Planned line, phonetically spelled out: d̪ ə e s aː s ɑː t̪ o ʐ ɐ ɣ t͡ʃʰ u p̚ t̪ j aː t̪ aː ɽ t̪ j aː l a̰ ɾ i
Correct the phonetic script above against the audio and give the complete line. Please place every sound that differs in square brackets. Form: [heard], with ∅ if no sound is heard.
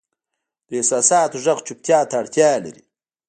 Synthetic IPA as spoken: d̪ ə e s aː s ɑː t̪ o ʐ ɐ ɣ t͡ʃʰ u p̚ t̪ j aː t̪ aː ɽ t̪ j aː l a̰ ɾ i